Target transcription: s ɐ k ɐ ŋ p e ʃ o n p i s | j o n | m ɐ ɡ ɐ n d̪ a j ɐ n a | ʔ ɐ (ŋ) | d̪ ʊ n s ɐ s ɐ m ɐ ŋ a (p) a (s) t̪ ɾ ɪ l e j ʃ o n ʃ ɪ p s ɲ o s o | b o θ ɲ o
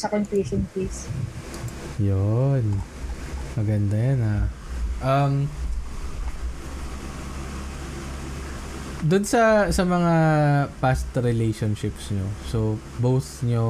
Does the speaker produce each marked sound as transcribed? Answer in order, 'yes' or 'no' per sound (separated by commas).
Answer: no, yes, yes